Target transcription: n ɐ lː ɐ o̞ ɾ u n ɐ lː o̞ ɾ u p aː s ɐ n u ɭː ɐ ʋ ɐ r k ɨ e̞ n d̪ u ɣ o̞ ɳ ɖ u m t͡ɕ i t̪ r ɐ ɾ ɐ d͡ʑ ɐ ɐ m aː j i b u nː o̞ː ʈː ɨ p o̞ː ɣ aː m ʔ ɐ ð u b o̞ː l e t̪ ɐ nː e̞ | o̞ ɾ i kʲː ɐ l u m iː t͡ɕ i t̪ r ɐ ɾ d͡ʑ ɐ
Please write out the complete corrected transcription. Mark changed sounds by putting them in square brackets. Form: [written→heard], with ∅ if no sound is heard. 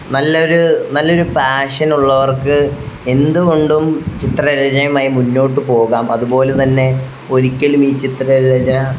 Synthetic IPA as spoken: n ɐ lː ɐ o̞ ɾ u n ɐ lː o̞ ɾ u p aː [s→ʂ] ɐ n u ɭː ɐ ʋ ɐ r k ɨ e̞ n d̪ u ɣ o̞ ɳ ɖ u m t͡ɕ i t̪ r ɐ ɾ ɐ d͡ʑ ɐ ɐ m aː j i [b→m] u nː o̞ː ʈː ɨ p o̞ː ɣ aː m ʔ ɐ ð u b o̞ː l e t̪ ɐ nː e̞ | o̞ ɾ i kʲː ɐ l u m iː t͡ɕ i t̪ r ɐ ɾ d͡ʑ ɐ